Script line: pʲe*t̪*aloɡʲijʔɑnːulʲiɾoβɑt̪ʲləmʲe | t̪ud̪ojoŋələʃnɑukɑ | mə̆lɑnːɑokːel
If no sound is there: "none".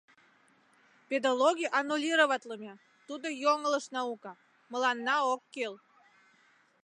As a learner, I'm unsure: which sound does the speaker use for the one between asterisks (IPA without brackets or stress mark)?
d̪